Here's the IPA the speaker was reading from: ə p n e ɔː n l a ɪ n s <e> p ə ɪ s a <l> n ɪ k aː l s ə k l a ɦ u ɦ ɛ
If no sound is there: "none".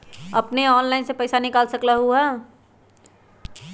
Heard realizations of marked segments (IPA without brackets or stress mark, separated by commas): e, none